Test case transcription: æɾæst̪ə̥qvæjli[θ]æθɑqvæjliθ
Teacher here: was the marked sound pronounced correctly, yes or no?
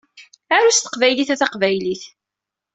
yes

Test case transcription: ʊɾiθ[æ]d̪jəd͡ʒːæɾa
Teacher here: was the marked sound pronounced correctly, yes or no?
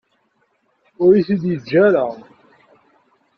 no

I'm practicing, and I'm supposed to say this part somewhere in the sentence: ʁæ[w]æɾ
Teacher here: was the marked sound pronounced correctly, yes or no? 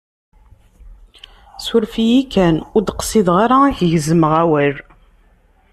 yes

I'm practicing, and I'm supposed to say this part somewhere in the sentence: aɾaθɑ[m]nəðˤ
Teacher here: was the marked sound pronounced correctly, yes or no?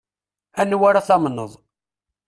yes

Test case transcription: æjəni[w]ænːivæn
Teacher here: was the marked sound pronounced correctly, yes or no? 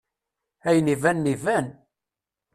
no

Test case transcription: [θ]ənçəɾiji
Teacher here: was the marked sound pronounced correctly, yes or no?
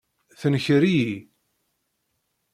yes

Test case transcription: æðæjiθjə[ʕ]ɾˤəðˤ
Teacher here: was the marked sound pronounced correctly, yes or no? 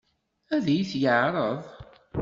yes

